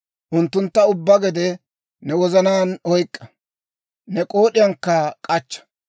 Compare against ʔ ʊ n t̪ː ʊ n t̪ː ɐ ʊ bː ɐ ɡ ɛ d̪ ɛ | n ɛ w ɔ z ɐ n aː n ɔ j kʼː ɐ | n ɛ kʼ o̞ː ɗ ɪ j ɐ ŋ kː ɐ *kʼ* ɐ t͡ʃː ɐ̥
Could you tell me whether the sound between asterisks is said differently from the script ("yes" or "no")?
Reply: no